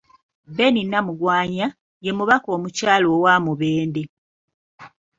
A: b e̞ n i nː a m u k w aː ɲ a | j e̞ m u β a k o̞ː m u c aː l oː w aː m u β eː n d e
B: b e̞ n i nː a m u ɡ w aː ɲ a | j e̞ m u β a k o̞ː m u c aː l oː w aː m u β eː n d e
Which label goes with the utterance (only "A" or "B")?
B